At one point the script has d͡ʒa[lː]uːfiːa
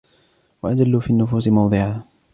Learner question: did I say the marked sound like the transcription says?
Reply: yes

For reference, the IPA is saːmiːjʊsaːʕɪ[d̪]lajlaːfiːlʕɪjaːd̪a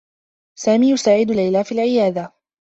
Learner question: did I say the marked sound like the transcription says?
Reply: yes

